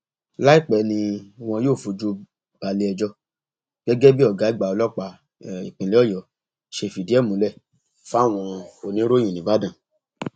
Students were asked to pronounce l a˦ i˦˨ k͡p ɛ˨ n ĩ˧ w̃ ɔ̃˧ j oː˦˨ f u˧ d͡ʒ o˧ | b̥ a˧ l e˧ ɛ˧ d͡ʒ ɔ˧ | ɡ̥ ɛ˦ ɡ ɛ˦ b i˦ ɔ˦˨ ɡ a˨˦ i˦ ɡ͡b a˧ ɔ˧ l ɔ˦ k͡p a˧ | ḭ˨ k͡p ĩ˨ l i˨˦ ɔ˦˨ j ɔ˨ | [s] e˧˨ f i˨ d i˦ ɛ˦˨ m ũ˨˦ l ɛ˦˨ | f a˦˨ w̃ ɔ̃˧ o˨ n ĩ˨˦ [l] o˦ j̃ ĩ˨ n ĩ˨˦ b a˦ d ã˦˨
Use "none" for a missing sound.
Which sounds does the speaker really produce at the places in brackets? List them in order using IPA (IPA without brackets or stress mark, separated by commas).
ʃ, ɾ